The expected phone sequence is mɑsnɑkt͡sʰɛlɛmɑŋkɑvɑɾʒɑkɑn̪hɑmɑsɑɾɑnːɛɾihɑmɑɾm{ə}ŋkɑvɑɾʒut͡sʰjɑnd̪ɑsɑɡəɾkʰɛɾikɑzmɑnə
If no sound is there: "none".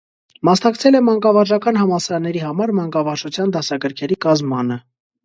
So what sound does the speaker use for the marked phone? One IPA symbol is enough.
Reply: ɑ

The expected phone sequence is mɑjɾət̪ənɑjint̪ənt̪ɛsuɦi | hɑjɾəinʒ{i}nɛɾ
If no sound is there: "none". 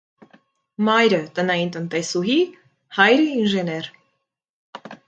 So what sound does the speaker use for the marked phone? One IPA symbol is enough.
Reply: ɛ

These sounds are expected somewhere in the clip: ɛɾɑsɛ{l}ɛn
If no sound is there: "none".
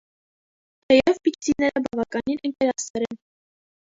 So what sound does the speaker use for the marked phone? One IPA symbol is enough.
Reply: ɾ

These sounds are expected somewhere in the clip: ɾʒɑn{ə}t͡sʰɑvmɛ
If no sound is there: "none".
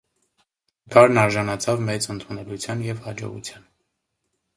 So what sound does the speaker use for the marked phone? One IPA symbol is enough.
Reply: ɑ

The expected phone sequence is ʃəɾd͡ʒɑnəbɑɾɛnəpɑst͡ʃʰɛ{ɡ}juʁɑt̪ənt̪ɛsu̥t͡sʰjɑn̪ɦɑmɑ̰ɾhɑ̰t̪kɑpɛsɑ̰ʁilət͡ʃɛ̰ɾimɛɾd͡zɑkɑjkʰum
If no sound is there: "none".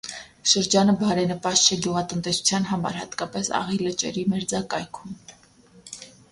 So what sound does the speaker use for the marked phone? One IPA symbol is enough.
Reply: ɡ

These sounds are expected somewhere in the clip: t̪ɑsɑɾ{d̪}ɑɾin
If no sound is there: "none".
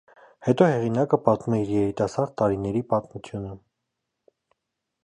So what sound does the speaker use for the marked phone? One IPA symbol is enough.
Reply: t̪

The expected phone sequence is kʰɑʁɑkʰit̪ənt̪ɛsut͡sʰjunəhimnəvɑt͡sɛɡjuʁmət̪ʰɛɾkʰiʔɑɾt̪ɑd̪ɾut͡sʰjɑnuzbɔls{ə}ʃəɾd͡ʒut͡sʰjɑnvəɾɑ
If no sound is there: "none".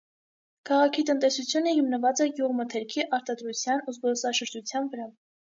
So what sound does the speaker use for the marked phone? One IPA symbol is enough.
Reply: ɑ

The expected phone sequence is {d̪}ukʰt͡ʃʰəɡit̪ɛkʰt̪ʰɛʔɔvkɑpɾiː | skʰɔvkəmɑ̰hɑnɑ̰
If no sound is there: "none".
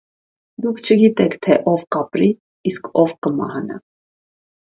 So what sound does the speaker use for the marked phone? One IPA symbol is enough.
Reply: d̪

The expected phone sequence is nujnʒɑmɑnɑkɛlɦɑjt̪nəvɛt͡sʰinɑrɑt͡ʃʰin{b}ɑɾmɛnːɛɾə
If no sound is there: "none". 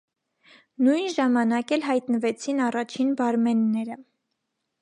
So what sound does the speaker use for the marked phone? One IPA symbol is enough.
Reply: b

